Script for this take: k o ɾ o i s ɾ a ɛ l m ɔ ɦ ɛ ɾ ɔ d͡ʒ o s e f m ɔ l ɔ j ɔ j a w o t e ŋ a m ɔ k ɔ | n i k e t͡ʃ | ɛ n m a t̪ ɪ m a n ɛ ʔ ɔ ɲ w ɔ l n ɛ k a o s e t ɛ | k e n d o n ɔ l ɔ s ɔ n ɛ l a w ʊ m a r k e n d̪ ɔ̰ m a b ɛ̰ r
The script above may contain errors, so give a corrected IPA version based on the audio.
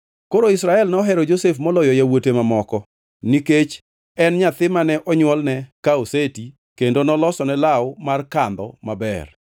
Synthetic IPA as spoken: k o ɾ o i s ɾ a ɛ l n ɔ ɦ ɛ ɾ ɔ d͡ʒ o s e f m ɔ l ɔ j ɔ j a w o t e m a m ɔ k ɔ | n i k e t͡ʃ | ɛ n ɲ a t̪ ɪ m a n ɛ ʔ ɔ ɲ w ɔ l n ɛ k a o s e t i | k e n d o n ɔ l ɔ s ɔ n ɛ l a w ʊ m a r k a n d̪ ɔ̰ m a b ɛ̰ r